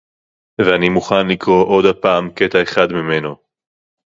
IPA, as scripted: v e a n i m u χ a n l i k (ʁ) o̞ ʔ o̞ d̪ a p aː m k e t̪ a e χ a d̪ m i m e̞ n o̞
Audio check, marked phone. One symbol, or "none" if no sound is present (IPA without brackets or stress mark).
ʁ